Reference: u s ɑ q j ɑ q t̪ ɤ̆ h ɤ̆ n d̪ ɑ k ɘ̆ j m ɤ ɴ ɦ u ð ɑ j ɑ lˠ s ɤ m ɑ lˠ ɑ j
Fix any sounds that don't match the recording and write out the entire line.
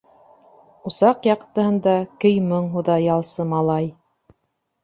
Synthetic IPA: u s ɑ q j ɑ q t̪ ɤ̆ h ɤ̆ n d̪ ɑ k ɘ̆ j m ɤ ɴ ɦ u ð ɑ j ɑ lˠ s ɤ m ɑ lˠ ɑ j